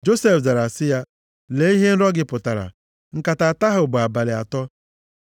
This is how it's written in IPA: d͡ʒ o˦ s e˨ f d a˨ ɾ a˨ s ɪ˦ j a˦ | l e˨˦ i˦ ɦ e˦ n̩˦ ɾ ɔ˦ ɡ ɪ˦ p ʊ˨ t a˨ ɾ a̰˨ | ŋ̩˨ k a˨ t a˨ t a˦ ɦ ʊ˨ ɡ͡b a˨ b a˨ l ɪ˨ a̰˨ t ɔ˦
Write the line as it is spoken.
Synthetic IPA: d͡ʒ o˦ s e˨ f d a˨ ɾ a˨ s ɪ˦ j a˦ | l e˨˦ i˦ ɦ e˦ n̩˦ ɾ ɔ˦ ɡ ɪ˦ p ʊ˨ t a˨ ɾ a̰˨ | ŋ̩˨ k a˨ t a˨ t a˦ ɦ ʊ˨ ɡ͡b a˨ b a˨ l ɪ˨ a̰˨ t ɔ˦